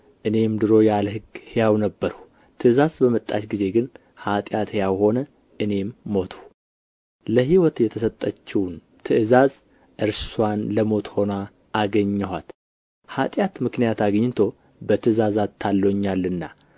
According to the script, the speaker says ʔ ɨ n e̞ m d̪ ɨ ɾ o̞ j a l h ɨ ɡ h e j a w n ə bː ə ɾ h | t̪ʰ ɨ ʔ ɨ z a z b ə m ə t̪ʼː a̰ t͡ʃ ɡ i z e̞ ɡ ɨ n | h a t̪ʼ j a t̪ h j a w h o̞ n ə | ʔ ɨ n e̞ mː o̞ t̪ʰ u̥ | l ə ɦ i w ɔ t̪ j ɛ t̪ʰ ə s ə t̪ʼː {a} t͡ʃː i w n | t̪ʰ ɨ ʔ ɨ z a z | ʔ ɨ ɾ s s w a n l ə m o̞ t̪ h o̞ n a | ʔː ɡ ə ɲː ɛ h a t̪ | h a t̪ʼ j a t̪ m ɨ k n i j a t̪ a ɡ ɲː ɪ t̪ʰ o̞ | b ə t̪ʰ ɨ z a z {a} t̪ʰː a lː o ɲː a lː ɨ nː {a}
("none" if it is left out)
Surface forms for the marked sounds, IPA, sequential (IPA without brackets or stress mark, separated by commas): ə, a, a